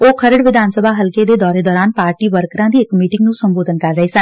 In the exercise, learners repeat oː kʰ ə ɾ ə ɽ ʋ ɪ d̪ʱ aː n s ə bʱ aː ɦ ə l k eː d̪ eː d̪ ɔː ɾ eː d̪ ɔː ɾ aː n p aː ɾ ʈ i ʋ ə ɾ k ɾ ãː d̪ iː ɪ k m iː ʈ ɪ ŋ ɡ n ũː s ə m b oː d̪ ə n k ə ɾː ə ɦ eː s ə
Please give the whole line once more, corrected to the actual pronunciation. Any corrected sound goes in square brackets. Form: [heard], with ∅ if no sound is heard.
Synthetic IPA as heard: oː kʰ ə ɾ ə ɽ ʋ ɪ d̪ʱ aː n s ə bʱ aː ɦ ə l k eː d̪ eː d̪ ɔː ɾ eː d̪ ɔː ɾ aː n p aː ɾ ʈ [iː] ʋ ə ɾ k ɾ ãː d̪ iː ɪ k m iː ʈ ɪ ŋ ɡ n ũː s ə m b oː d̪ ə n k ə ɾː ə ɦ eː s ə